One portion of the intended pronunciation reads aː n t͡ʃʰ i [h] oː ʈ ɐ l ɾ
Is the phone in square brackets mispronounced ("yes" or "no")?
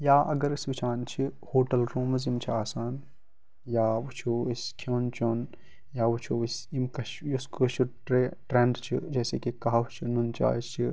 no